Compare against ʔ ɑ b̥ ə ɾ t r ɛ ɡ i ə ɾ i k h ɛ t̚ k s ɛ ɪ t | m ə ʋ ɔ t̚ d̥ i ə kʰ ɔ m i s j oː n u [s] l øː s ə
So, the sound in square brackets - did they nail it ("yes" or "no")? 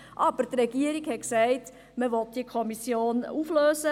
no